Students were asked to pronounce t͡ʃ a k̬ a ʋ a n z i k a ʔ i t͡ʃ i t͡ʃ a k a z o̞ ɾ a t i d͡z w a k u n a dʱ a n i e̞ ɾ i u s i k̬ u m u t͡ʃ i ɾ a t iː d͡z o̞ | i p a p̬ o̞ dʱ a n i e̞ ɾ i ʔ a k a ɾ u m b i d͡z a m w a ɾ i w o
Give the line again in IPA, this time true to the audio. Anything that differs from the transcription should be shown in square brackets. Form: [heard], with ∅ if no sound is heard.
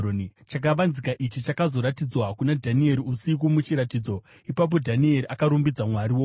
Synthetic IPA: t͡ʃ a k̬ a ʋ a n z i k a ʔ i t͡ʃ i t͡ʃ a k a z o̞ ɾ a t i d͡z w a k u n a dʱ a n i e̞ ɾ i u s i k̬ u m u t͡ʃ i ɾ a t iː d͡z o̞ | i p a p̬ o̞ dʱ a n i e̞ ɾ i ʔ a k a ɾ u m b i d͡z a m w a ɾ i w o